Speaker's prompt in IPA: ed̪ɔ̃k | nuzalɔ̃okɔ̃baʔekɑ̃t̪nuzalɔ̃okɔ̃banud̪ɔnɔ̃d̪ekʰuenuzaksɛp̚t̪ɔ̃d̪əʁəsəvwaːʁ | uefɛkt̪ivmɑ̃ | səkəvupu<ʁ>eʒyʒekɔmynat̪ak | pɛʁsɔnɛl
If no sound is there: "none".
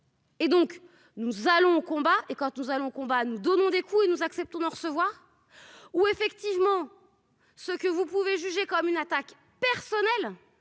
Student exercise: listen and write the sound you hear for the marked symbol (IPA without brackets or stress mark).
v